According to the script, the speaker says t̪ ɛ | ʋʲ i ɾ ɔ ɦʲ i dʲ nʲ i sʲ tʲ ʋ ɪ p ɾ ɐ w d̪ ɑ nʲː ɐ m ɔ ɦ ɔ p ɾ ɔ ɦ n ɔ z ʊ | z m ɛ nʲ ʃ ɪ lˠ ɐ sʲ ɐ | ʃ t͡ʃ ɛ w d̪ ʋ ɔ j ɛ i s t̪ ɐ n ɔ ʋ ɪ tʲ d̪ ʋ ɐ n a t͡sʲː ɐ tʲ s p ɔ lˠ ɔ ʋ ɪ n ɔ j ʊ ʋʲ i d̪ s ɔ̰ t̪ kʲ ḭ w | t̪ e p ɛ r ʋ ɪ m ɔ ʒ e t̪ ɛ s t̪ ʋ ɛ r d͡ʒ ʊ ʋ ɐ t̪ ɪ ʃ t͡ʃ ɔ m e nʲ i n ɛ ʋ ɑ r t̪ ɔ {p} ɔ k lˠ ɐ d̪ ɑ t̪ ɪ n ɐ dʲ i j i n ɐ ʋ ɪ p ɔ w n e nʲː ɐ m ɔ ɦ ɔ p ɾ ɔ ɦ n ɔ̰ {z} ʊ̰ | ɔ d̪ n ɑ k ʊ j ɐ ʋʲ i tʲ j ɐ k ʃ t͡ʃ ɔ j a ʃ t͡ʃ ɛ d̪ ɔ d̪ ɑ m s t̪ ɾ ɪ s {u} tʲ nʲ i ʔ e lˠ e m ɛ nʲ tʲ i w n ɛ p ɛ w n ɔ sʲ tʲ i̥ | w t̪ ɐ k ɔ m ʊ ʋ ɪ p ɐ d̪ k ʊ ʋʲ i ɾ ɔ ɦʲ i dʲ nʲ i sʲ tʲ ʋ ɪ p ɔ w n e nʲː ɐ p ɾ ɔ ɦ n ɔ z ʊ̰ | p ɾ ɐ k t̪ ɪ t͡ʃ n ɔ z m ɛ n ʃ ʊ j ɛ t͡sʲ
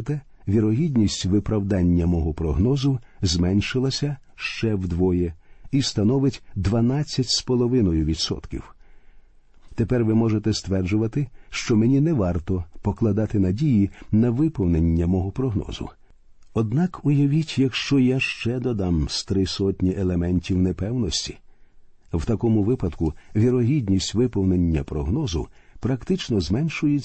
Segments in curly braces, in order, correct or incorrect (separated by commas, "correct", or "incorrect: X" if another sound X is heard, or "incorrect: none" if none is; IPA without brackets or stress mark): correct, correct, incorrect: ɔ